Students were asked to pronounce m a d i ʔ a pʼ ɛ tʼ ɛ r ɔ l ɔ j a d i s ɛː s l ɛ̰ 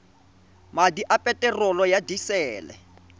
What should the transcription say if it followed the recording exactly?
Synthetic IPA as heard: m a d i ʔ a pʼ ɛ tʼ ɛ r ɔ l ɔ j a d i s ɛː l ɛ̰